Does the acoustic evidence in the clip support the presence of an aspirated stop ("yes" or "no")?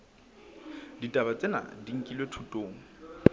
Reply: yes